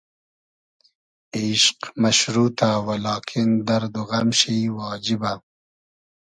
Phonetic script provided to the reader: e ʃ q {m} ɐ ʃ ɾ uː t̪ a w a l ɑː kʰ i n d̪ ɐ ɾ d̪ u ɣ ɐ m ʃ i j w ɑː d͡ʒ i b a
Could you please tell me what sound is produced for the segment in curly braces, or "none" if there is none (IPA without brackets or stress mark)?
m